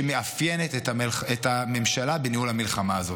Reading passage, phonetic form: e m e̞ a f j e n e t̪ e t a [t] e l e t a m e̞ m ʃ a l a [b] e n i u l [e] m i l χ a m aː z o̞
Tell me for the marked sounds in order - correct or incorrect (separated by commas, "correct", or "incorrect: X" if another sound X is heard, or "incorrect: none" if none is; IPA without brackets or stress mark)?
incorrect: none, correct, incorrect: a